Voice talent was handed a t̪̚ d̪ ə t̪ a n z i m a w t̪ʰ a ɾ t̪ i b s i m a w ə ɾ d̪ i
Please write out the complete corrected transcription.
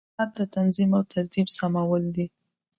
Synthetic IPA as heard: a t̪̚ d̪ ə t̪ a n z i m a w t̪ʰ a ɾ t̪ i b s a m a w ə l d̪ i